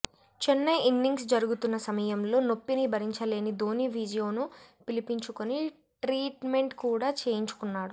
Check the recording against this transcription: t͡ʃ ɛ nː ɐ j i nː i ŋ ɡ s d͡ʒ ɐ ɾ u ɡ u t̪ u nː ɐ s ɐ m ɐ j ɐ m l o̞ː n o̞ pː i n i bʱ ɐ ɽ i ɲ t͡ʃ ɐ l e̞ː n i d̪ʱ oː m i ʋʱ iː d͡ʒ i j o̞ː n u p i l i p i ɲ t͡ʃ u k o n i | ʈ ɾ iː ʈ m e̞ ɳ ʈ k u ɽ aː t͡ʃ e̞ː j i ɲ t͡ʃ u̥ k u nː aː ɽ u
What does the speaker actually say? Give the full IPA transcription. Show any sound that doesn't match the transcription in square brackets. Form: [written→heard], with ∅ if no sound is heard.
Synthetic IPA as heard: t͡ʃ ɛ nː ɐ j i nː i ŋ ɡ s d͡ʒ ɐ ɾ u ɡ u t̪ u nː ɐ s ɐ m ɐ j ɐ m l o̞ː n o̞ pː i n i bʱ ɐ [ɽ→ɾ] i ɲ t͡ʃ ɐ l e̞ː n i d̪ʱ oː [m→n] i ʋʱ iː d͡ʒ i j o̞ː n u p i l i p i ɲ t͡ʃ u k o n i | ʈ ɾ iː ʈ m e̞ ɳ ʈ k [u→uː] ɽ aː t͡ʃ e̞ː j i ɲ t͡ʃ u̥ k u nː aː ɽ u